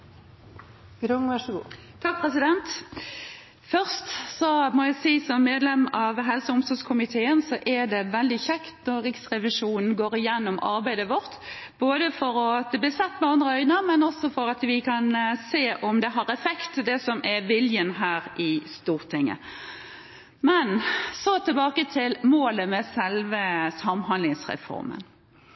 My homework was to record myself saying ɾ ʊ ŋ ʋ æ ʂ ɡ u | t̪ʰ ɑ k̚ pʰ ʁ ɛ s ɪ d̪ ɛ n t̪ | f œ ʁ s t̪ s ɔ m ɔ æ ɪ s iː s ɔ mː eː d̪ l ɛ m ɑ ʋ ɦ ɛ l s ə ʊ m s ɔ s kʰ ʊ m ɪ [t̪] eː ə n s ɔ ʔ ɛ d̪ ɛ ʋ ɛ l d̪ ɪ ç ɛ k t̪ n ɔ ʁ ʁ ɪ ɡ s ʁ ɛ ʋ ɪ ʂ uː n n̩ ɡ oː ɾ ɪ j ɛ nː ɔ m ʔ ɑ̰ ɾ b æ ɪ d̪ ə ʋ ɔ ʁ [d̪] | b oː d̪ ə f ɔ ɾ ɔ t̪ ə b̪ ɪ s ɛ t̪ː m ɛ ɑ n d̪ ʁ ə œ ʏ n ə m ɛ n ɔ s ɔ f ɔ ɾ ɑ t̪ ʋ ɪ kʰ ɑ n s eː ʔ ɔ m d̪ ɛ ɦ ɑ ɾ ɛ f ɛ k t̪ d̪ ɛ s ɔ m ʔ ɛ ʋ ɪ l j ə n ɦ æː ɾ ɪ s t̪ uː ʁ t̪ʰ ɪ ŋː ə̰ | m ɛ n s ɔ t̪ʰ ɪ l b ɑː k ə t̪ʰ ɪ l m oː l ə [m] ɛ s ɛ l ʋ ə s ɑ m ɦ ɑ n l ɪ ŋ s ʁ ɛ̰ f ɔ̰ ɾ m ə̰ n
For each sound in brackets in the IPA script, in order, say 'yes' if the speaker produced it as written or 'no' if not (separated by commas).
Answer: no, no, yes